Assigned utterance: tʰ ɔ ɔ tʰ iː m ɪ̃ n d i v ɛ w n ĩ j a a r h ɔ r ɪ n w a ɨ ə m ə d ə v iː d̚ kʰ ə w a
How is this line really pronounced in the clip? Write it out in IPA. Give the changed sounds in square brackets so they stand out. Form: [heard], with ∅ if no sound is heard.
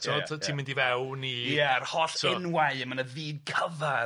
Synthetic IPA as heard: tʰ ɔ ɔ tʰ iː m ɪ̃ n d i v ɛ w n [i] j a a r h ɔ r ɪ n w a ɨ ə m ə [n] ə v iː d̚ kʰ ə [v] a

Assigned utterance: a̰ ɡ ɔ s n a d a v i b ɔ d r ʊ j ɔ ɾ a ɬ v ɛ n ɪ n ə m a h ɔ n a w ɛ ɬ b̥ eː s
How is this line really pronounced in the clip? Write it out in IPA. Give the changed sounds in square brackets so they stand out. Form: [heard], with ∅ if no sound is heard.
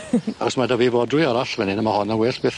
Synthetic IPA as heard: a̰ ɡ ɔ s [m] a d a v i [v] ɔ d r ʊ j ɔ ɾ a ɬ v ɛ n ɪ n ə m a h ɔ n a w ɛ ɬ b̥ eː [θ]

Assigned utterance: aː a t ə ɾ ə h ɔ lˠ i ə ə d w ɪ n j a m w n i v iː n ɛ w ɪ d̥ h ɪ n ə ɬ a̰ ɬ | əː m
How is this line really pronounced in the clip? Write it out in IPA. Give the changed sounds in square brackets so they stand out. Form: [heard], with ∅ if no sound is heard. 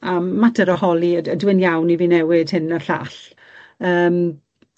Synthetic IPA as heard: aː a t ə ɾ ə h ɔ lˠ i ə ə d w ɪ n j a [∅] w n i v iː n ɛ w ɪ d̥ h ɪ n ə ɬ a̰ ɬ | əː m

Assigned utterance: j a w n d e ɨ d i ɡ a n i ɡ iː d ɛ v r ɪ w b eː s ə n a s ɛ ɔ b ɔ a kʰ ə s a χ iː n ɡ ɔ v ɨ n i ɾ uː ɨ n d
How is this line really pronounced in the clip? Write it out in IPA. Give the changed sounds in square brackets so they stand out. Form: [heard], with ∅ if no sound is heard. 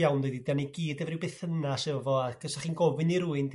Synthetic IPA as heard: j a w n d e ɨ d i [d] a n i ɡ iː d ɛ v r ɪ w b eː [θ] ə n a s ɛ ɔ [v] ɔ a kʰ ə s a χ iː n ɡ ɔ v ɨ n i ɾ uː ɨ n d

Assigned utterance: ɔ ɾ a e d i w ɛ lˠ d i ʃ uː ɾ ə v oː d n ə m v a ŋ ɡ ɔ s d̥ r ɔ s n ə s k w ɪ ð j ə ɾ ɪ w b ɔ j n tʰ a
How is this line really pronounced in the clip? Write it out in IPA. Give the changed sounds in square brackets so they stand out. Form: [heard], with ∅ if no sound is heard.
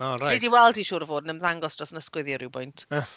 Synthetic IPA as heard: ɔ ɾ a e d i w ɛ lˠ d i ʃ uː ɾ ə v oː d n ə m [ð] a ŋ ɡ ɔ s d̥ r ɔ s n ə s k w ɪ ð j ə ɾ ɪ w b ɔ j n tʰ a

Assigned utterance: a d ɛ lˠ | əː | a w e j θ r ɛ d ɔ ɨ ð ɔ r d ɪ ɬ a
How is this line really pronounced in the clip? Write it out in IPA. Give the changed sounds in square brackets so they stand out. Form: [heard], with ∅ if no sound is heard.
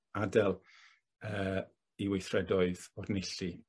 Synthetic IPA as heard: a d ɛ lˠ | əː | [i] w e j θ r ɛ d ɔ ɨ ð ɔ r [n] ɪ ɬ [i]

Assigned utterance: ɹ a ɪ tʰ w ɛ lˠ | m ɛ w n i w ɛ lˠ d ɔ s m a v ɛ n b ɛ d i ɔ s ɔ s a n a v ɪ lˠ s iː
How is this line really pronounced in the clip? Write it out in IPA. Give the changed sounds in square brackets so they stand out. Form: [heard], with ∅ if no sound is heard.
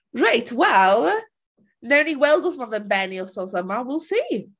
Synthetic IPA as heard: ɹ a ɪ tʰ w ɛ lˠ | [n] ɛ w n i w ɛ lˠ d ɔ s m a v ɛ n b ɛ [n] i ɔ s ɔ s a [m] a [w] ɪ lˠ s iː

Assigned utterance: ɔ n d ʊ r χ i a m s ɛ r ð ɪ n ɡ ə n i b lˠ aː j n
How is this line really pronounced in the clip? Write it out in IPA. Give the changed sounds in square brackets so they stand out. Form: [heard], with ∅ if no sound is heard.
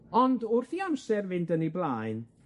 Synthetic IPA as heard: ɔ n d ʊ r [θ] i a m s ɛ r [v] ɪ n [d] ə n i b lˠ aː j n

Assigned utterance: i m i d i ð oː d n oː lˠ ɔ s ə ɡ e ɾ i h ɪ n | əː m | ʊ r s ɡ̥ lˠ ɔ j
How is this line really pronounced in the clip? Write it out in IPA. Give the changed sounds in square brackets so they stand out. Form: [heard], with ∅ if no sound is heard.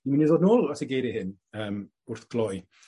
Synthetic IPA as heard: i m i [n] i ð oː d n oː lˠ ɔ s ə ɡ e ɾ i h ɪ n | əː m | ʊ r [θ] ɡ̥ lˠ ɔ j

